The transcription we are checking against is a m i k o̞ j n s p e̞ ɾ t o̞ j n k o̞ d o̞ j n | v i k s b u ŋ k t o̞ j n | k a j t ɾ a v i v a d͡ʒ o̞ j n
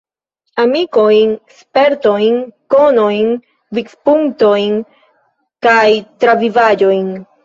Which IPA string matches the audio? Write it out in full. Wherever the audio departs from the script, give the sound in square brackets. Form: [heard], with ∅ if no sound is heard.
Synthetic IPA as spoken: a m i k o̞ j n s p e̞ ɾ t o̞ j n k o̞ [n] o̞ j n | v i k s [p] u ŋ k t o̞ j n | k a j t ɾ a v i v a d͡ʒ o̞ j n